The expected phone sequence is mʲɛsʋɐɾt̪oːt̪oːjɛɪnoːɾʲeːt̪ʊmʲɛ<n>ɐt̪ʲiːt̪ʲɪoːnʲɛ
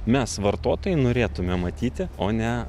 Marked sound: incorrect: m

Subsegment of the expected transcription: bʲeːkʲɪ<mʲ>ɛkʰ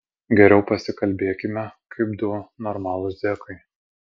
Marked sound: correct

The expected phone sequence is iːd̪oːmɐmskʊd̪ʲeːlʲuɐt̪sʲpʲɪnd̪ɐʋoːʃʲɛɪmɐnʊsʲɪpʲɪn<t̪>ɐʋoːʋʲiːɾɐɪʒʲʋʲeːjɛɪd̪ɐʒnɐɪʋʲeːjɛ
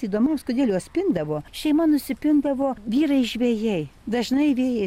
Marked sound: incorrect: d̪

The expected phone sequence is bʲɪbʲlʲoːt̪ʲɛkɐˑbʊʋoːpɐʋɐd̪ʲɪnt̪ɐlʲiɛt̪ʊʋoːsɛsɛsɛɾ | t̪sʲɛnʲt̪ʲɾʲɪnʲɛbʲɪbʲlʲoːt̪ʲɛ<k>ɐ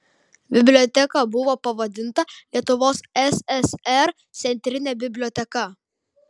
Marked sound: correct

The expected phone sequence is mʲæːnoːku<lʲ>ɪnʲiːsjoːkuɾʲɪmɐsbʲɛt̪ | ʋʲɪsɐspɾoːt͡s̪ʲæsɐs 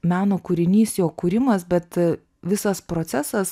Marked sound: incorrect: ɾʲ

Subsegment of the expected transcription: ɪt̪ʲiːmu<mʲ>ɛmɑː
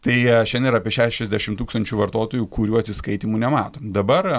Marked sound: incorrect: nʲ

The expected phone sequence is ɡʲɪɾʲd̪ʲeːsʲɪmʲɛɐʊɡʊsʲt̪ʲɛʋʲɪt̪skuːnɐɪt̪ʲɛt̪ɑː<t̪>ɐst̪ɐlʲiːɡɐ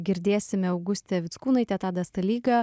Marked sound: incorrect: d̪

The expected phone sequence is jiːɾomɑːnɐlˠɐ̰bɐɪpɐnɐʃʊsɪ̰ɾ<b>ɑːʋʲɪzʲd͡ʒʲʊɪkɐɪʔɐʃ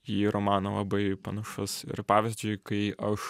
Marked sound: incorrect: p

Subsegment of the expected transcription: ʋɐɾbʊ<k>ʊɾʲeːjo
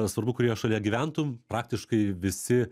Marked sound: correct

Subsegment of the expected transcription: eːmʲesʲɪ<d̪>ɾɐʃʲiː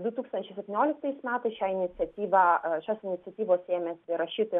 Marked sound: incorrect: none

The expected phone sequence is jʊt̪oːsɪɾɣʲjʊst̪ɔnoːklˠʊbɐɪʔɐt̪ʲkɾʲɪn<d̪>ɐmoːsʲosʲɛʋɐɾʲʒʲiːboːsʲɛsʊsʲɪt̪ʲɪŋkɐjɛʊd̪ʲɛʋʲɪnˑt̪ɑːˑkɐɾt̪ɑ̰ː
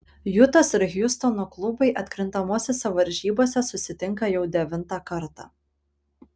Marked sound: incorrect: t̪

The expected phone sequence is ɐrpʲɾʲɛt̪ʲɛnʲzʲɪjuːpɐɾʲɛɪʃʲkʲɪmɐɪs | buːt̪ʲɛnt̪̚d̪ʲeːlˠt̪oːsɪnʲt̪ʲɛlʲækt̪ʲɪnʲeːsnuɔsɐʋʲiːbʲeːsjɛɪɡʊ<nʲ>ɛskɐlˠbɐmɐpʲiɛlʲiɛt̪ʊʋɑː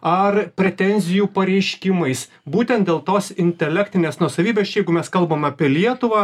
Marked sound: incorrect: mʲ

